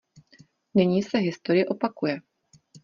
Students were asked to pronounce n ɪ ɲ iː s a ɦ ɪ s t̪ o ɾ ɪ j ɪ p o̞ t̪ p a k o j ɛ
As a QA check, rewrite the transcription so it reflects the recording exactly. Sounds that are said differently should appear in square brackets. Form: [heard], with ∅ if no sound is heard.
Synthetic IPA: n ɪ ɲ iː s [ɛ] ɦ ɪ s t̪ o ɾ ɪ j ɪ [ʔ] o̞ [∅] p a k [u] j ɛ